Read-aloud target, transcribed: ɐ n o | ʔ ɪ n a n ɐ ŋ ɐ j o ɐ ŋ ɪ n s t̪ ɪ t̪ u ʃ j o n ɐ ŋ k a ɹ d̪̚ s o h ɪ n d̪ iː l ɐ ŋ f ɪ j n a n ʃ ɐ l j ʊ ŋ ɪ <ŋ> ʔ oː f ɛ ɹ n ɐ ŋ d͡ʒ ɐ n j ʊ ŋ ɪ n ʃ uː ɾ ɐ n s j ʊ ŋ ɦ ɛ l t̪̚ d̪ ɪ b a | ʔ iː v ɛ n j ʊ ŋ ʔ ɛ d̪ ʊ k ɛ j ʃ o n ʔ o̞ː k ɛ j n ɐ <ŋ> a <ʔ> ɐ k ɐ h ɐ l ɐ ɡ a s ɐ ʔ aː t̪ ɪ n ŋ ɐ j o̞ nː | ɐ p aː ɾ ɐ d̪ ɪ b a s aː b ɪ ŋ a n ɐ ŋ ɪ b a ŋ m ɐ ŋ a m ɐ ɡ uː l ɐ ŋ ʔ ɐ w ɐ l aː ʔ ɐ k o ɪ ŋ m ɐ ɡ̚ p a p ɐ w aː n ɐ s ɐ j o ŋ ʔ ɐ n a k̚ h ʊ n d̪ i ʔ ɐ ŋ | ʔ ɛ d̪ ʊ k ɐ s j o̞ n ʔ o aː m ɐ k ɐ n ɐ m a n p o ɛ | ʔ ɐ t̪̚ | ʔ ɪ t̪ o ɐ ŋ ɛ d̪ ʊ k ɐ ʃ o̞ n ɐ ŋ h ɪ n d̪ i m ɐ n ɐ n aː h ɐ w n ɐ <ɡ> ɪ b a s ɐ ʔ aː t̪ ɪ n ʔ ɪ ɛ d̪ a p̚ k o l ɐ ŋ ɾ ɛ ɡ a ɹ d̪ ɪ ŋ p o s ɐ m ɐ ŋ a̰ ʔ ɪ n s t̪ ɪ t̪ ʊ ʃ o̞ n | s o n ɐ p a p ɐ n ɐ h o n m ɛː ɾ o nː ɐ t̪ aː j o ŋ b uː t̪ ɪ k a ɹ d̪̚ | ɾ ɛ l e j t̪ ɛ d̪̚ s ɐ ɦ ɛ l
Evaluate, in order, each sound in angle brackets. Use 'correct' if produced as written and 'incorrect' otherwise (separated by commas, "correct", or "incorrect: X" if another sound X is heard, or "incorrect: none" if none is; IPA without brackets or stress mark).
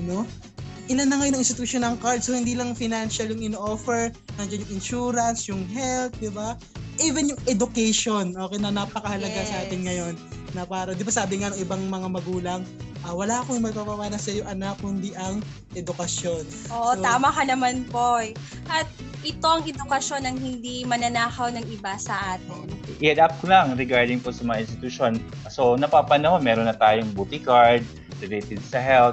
incorrect: n, incorrect: n, incorrect: p, incorrect: ŋ